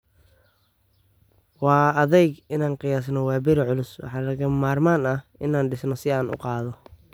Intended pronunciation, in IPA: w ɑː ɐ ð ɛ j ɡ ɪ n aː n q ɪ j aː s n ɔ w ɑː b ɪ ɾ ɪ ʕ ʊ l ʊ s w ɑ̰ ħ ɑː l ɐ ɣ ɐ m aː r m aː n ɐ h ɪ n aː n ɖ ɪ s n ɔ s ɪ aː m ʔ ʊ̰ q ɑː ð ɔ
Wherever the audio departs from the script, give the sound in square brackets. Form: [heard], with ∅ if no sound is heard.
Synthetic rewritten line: w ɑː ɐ ð ɛ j ɡ ɪ n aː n q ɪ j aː s n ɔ w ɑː b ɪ ɾ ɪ ʕ ʊ l ʊ s w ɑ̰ ħ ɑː l ɐ ɣ ɐ m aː r m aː n ɐ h ɪ n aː n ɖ ɪ s n ɔ s ɪ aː [n] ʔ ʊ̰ q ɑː ð ɔ